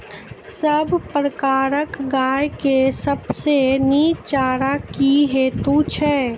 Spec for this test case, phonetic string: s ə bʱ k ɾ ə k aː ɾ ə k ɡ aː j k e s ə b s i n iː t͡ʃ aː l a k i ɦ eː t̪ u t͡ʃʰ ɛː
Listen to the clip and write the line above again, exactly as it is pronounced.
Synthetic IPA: s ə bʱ p ɾ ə k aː ɾ ə k ɡ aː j k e s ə b s e n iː t͡ʃ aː ɾ a k i ɦ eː t̪ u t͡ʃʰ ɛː

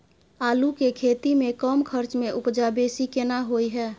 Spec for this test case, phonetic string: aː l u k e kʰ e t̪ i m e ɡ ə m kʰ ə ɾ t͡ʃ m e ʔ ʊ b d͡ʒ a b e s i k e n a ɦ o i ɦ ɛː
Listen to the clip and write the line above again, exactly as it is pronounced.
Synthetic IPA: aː l u k e kʰ e t̪ i m e k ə m kʰ ə ɾ t͡ʃ m e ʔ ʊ p d͡ʒ a b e s i k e n a ɦ o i ɦ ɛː

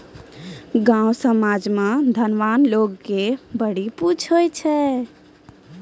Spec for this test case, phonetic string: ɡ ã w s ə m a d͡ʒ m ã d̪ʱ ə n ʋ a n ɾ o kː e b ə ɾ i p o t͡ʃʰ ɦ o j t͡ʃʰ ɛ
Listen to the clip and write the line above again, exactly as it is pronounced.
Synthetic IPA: ɡ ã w s ə m a d͡ʒ m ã d̪ʱ ə n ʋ a n l o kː e b ə ɽ i p u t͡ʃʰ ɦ o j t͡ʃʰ ɛ

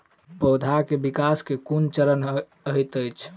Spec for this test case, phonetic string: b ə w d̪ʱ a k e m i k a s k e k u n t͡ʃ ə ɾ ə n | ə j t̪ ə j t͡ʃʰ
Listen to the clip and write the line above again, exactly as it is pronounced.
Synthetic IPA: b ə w d̪ʱ a k e b i k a s k e k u n t͡ʃ ə ɾ ə n | ə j t̪ ə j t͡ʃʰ

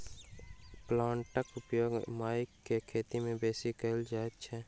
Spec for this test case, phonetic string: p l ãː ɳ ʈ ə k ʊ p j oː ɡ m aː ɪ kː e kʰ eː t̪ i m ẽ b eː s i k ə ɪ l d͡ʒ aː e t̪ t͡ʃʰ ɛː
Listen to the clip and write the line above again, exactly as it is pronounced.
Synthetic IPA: p l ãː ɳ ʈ ə k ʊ p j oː ɡ m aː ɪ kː e kʰ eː t̪ i m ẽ b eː s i k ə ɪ l d͡ʒ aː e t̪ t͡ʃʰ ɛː

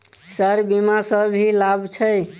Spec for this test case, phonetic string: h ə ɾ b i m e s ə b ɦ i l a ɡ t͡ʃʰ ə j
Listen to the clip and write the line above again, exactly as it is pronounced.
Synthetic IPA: s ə ɾ b i m a s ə b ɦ i l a b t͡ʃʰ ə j

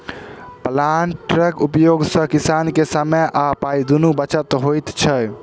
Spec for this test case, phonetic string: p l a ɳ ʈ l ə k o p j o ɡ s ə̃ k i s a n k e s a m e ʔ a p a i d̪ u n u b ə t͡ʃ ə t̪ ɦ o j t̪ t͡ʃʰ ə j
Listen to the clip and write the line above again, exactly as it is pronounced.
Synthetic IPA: p l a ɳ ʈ ɾ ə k u p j o ɡ s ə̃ k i s a n k e s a m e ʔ a p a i d̪ u n u b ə t͡ʃ ə t̪ ɦ o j t̪ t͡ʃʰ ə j

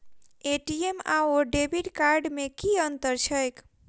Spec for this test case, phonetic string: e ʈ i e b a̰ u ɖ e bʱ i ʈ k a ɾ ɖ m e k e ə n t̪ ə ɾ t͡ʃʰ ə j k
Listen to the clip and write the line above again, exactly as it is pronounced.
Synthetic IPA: e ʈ i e m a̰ o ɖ e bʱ i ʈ k a ɾ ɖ m e k i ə n t̪ ə ɾ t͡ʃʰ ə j k

